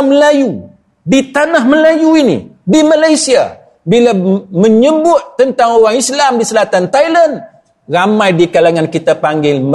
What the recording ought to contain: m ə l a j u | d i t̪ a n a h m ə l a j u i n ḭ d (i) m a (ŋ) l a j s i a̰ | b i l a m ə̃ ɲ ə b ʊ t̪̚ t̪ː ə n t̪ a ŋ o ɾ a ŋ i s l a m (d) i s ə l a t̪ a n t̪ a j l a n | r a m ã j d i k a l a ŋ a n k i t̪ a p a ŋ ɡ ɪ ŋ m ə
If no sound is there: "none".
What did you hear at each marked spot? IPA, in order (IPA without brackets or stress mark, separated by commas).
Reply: i, none, d